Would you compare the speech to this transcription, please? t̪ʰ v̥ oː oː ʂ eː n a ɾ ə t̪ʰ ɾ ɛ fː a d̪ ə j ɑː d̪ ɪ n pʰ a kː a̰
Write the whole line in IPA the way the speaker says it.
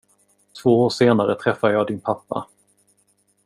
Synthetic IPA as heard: t̪ʰ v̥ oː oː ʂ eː n a ɾ ə t̪ʰ ɾ ɛ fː a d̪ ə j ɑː d̪ ɪ n pʰ a pː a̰